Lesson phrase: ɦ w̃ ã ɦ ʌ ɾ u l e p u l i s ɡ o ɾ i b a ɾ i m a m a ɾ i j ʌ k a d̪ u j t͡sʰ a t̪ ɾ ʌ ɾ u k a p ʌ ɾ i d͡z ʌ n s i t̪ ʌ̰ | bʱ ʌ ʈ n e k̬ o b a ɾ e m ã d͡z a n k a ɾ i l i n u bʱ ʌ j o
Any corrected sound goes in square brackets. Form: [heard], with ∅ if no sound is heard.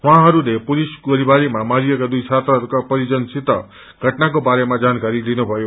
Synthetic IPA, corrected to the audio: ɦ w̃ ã ɦ ʌ ɾ u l e p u l i s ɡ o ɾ i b a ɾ i m a m a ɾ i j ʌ k a d̪ u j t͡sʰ a t̪ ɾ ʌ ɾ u k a p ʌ ɾ i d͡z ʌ n s i t̪ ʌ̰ | [ɡʱ] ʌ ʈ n [a] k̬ o b a ɾ e m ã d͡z a n k a ɾ i l i n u bʱ ʌ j o